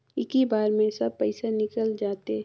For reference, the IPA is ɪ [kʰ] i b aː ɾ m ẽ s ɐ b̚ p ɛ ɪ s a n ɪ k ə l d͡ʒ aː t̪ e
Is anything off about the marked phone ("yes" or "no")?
yes